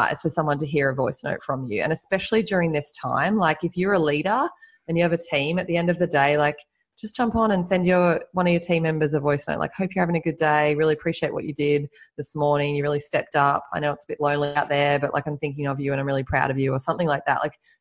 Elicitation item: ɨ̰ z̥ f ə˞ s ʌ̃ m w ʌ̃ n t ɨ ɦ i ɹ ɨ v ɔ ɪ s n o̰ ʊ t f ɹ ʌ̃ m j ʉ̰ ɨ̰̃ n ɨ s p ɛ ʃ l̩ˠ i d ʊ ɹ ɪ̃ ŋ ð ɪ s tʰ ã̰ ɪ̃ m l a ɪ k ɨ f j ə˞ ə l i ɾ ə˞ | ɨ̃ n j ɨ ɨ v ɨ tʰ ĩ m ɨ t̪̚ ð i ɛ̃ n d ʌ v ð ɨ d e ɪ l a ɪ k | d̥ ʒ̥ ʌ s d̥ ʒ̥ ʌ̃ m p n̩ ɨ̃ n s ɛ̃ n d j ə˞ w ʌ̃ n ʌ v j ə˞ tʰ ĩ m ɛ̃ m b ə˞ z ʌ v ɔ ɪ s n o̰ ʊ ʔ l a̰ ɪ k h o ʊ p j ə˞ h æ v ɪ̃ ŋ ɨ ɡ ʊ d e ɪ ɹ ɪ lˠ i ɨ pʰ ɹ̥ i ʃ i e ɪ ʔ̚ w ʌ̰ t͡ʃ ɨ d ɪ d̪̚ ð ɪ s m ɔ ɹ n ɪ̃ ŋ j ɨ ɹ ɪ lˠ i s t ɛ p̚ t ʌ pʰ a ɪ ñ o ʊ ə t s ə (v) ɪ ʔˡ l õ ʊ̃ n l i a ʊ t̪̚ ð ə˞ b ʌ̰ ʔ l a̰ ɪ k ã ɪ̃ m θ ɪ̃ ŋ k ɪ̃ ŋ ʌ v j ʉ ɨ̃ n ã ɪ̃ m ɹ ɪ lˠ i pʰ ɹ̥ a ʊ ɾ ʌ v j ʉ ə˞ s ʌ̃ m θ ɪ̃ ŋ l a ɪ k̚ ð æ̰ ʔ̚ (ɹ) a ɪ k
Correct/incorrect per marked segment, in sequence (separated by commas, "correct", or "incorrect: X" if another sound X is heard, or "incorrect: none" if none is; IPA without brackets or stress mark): incorrect: b, incorrect: l